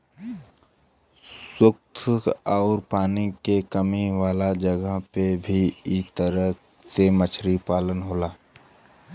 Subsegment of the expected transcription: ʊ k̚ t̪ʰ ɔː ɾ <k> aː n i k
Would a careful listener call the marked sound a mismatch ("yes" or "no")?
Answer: yes